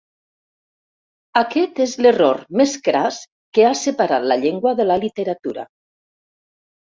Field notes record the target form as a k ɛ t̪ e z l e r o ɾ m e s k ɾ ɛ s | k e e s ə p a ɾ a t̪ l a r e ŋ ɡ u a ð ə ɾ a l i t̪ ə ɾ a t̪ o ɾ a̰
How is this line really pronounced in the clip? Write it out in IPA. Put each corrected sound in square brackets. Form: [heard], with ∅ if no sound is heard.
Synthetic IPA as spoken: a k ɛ t̪ e z l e r o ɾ m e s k ɾ [a] s | k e [a] s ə p a ɾ a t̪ l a [ʎ] e ŋ ɡ [w] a ð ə [l] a l i t̪ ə ɾ a t̪ [u] ɾ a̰